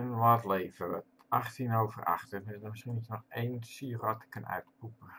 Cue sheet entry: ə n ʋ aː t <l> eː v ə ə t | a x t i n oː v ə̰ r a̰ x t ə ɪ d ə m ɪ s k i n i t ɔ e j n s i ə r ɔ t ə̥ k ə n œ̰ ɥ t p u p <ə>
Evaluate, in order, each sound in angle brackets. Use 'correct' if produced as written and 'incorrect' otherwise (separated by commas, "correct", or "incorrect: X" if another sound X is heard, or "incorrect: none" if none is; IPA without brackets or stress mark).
correct, correct